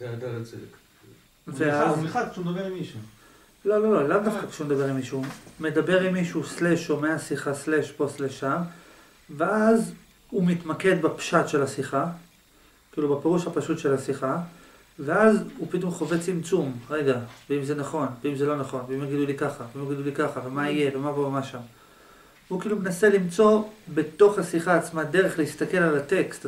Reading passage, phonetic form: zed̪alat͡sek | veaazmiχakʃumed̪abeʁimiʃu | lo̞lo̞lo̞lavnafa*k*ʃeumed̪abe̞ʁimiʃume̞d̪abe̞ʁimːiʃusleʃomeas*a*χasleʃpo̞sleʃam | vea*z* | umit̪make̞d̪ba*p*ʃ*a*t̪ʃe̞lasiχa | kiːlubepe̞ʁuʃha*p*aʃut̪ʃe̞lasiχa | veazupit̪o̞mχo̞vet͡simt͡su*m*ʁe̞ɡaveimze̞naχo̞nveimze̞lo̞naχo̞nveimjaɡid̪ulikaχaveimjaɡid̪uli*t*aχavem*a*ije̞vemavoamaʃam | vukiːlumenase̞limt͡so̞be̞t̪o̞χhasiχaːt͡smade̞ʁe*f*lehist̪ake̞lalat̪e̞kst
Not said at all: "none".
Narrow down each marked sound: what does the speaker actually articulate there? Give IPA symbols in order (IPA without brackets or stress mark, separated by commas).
k, i, z, p, a, p, m, k, a, χ